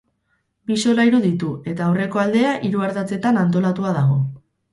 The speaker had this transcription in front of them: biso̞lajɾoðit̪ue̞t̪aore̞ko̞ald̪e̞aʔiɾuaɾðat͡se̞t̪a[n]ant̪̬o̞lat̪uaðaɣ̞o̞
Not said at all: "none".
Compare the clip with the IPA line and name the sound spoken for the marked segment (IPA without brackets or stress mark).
n